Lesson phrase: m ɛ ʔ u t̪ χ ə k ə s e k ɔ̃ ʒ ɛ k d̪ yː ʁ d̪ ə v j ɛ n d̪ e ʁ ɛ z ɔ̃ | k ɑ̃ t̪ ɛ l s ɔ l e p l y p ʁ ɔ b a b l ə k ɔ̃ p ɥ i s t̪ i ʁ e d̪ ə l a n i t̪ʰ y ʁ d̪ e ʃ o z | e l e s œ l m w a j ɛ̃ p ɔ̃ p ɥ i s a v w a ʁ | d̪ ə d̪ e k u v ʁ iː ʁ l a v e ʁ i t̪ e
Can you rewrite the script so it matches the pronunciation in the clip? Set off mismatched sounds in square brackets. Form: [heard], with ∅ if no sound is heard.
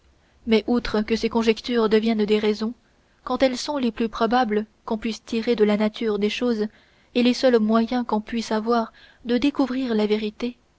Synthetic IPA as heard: m ɛ ʔ u t̪ χ ə k ə s e k ɔ̃ ʒ ɛ k [t̪] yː ʁ d̪ ə v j ɛ n d̪ e ʁ ɛ z ɔ̃ | k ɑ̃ t̪ ɛ l s [ɔ̃] l e p l y p [χ] ɔ b a b l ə k ɔ̃ p ɥ i s t̪ i ʁ e d̪ ə l a n [a] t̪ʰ y ʁ d̪ e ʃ o z | e l e s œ l m w a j ɛ̃ [k] ɔ̃ p ɥ i s a v w a ʁ | d̪ ə d̪ e k u v ʁ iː ʁ l a v e ʁ i t̪ e

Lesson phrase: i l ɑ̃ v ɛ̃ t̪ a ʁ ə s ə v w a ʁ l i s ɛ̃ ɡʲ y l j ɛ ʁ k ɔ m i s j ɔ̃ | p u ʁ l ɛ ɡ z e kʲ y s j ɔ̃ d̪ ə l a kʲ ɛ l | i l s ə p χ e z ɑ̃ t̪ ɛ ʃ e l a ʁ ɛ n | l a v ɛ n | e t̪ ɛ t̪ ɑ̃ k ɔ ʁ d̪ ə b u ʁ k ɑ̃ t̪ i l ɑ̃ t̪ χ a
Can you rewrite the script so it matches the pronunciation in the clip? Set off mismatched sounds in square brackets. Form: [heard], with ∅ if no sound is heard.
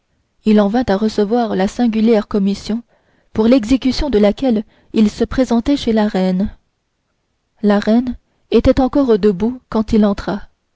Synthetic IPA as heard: i l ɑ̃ v ɛ̃ t̪ a ʁ ə s ə v w a ʁ l [a] s ɛ̃ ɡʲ y l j ɛ ʁ k ɔ m i s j ɔ̃ | p u ʁ l ɛ ɡ z e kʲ y s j ɔ̃ d̪ ə l a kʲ ɛ l | i l s ə p χ e z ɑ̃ t̪ ɛ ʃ e l a ʁ ɛ n | l a [ʁ] ɛ n | e t̪ ɛ t̪ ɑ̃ k ɔ ʁ d̪ ə b u [∅] k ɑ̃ t̪ i l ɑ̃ t̪ χ a

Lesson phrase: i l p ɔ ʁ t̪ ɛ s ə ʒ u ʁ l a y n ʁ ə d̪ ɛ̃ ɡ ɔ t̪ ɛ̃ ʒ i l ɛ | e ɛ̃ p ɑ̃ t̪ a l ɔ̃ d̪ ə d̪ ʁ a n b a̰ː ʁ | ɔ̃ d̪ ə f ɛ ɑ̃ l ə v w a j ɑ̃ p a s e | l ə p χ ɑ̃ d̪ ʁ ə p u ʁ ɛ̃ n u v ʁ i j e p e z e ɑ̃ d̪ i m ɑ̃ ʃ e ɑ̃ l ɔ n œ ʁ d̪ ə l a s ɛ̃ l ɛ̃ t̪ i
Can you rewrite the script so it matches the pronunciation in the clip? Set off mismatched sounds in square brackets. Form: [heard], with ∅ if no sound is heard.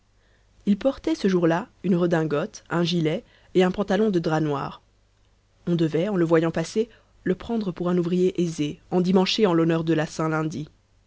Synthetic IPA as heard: i l p ɔ ʁ t̪ ɛ s ə ʒ u ʁ l a y n ʁ ə d̪ ɛ̃ ɡ ɔ t̪ ɛ̃ ʒ i l ɛ | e ɛ̃ p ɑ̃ t̪ a l ɔ̃ d̪ ə d̪ ʁ a n [w] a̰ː ʁ | ɔ̃ d̪ ə [v] ɛ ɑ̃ l ə v w a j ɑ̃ p a s e | l ə p χ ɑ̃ d̪ ʁ ə p u ʁ ɛ̃ n u v ʁ i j e [ʔ] e z e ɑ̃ d̪ i m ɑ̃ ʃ e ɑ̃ l ɔ n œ ʁ d̪ ə l a s ɛ̃ l ɛ̃ [d̪] i

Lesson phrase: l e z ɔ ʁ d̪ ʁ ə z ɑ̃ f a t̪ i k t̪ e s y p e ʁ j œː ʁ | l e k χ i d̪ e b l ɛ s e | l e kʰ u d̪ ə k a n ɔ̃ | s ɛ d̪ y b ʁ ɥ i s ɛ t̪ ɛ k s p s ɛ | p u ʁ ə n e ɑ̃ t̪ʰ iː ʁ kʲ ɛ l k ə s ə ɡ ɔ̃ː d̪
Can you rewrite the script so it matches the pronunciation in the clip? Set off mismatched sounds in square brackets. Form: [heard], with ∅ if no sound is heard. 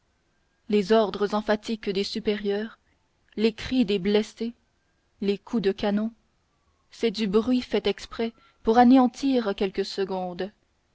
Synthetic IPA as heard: l e z ɔ ʁ d̪ ʁ ə z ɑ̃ f a t̪ i k [d̪] e s y p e ʁ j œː ʁ | l e k χ i d̪ e b l ɛ s e | l e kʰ u d̪ ə k a n ɔ̃ | s ɛ d̪ y b ʁ ɥ i [f] ɛ t̪ ɛ k s p [χ] ɛ | p u ʁ [a] n e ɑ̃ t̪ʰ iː ʁ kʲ ɛ l k ə s ə ɡ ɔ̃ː d̪

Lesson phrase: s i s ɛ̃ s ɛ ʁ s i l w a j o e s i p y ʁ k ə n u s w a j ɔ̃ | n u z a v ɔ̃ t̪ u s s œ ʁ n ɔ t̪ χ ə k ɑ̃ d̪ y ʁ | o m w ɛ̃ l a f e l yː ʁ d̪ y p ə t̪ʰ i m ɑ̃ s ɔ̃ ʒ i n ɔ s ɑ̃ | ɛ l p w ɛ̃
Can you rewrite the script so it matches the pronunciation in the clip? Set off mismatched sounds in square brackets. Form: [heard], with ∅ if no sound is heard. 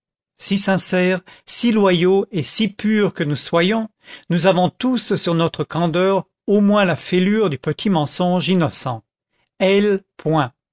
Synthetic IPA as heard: s i s ɛ̃ s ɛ ʁ s i l w a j o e s i p y ʁ k ə n u s w a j ɔ̃ | n u z a v ɔ̃ t̪ u s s [y] ʁ n ɔ t̪ χ ə k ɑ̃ d̪ [œ] ʁ | o m w ɛ̃ l a f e l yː ʁ d̪ y p ə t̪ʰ i m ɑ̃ s ɔ̃ ʒ i n ɔ s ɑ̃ | ɛ l p w ɛ̃

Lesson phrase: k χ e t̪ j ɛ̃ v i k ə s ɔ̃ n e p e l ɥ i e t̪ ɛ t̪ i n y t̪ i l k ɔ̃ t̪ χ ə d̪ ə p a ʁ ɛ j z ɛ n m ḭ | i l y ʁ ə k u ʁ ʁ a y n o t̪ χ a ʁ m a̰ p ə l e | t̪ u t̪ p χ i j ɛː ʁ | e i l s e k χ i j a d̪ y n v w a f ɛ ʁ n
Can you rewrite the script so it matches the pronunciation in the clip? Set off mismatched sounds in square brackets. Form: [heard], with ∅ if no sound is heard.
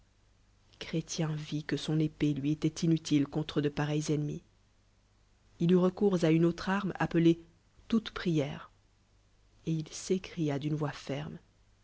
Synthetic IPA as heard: k χ e t̪ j ɛ̃ v i k ə s ɔ̃ n e p e l ɥ i e t̪ ɛ t̪ i n y t̪ i l k ɔ̃ t̪ χ ə d̪ ə p a ʁ ɛ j z ɛ n m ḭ | i l y ʁ ə k u ʁ [z] a y n o t̪ χ a ʁ m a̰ p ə l e | t̪ u t̪ p χ i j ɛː ʁ | e i l s e k χ i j a d̪ y n v w a f ɛ ʁ [m]

